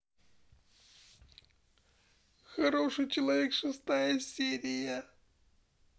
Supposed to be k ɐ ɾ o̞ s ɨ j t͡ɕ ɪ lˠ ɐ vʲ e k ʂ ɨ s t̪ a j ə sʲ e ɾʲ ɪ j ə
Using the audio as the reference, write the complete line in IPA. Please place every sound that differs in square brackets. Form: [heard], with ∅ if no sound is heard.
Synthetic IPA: [x] ɐ ɾ o̞ [ʂ] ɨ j t͡ɕ ɪ lˠ ɐ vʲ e k ʂ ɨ s t̪ a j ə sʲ e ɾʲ ɪ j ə